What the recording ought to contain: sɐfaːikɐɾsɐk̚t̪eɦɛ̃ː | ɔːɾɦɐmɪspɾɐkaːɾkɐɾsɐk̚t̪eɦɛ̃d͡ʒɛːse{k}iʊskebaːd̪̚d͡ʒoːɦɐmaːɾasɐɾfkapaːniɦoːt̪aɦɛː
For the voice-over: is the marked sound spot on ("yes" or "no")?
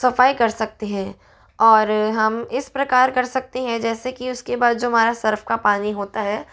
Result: yes